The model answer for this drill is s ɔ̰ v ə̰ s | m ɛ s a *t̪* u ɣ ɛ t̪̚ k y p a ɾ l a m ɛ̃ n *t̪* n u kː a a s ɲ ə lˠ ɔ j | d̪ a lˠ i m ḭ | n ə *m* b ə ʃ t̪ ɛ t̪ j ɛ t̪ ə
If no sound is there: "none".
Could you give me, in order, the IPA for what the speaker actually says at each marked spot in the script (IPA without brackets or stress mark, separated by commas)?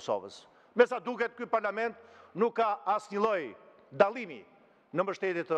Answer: d̪, t̪, m